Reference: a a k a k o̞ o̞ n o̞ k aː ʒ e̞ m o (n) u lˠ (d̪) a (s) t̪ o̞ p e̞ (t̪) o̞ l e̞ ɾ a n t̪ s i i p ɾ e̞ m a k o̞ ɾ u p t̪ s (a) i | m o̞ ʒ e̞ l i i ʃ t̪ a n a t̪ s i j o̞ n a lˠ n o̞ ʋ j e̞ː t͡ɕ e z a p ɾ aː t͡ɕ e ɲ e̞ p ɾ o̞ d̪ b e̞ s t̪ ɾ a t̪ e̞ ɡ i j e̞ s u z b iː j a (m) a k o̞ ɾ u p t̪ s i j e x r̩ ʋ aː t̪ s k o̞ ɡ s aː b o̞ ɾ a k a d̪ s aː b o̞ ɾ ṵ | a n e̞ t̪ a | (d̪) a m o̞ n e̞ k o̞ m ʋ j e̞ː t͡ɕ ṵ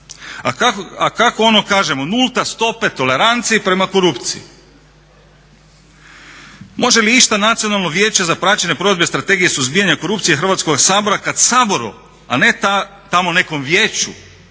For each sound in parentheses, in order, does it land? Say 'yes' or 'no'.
yes, no, yes, yes, no, no, no

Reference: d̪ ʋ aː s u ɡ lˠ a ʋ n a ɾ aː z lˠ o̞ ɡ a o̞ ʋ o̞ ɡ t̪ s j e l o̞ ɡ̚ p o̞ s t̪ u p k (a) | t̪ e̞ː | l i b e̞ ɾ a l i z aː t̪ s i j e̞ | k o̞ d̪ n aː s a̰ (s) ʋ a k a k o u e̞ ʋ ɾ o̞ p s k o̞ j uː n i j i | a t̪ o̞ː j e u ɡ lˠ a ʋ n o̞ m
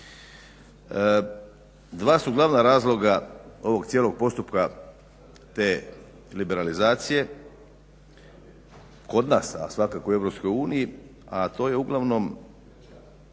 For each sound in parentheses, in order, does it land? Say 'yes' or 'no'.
yes, yes

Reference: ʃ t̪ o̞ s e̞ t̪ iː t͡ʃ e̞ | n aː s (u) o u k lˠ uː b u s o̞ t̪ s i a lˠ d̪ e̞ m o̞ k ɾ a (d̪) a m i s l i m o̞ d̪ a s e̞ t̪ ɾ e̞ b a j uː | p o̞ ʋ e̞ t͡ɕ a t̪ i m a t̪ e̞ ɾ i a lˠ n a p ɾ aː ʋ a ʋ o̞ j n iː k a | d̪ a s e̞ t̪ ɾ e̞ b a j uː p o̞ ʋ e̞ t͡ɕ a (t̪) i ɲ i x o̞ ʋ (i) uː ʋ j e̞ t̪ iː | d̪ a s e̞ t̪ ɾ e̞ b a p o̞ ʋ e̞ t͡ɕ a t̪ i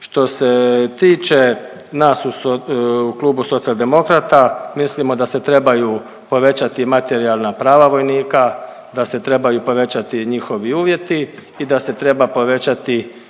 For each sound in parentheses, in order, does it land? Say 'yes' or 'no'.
yes, no, yes, yes

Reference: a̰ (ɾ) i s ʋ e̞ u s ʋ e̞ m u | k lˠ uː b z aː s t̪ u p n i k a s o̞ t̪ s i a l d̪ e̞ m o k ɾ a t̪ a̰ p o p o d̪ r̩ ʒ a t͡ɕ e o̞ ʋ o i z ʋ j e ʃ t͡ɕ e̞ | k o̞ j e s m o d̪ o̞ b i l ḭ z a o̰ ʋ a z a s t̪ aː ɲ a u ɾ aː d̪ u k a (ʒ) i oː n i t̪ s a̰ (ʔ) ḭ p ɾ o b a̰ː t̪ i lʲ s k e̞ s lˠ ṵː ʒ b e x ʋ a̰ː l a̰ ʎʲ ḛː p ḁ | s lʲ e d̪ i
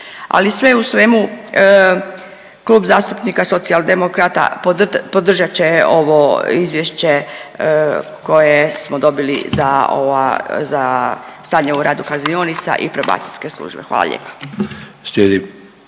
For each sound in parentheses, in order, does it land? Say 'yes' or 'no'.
no, no, yes

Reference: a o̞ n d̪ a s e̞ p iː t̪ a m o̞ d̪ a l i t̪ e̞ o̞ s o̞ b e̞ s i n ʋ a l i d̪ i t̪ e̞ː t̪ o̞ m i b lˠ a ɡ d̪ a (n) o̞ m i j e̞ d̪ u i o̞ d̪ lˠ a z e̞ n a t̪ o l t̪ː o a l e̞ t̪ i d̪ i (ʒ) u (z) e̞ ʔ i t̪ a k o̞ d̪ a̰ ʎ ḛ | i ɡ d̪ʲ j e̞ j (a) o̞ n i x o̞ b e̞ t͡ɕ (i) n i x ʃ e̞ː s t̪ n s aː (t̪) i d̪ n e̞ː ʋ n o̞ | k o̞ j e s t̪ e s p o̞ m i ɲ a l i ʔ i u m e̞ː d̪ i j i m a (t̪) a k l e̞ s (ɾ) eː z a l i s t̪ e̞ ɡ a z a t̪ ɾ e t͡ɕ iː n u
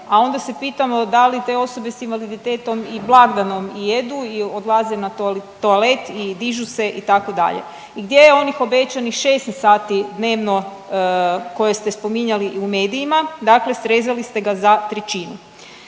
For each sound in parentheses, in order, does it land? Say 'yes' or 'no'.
yes, yes, no, no, no, yes, no, yes

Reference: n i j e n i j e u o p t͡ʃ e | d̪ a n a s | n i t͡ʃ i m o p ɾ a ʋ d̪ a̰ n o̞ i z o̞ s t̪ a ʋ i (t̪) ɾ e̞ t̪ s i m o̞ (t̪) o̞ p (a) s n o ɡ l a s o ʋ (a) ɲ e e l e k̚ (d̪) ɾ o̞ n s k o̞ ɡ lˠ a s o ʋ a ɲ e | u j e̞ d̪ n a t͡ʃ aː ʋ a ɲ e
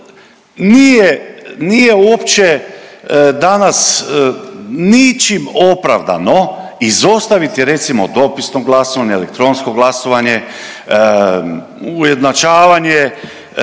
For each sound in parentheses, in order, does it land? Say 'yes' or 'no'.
yes, no, no, yes, no

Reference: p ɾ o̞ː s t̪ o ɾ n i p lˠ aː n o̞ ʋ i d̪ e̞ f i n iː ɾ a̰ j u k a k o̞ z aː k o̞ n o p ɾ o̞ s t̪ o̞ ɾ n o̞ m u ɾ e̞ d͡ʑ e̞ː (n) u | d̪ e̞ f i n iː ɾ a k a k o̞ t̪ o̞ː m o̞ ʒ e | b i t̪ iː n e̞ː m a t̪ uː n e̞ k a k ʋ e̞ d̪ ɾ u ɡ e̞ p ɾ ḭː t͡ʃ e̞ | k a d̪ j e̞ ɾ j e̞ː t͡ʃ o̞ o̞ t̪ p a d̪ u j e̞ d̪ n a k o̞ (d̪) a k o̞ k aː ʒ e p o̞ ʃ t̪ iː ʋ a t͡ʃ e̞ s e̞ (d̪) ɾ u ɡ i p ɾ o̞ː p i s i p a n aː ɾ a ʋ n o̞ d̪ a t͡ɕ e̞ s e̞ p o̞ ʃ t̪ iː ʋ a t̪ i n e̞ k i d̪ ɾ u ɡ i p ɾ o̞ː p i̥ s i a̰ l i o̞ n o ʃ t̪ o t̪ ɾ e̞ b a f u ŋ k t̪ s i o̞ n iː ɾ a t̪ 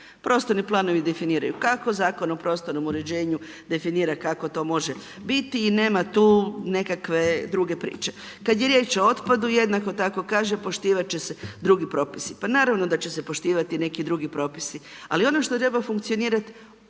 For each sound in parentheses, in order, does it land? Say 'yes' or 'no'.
no, no, yes

